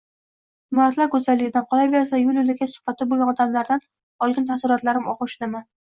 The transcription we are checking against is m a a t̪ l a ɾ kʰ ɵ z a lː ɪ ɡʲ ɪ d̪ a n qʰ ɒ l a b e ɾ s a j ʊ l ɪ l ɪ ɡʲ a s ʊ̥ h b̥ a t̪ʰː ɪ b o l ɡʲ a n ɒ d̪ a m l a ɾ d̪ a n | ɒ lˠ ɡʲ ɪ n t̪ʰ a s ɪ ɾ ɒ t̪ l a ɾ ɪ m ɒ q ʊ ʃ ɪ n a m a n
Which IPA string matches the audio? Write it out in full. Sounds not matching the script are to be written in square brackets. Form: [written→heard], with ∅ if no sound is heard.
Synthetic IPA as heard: m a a t̪ l a ɾ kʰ ɵ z a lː ɪ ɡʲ ɪ d̪ a n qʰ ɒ l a b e ɾ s a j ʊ l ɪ l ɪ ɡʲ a s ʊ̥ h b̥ a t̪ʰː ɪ b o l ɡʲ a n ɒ d̪ a m l a ɾ d̪ a n | ɒ lˠ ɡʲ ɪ n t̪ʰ a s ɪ ɾ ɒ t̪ l a ɾ ɪ m ɒ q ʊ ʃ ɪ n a m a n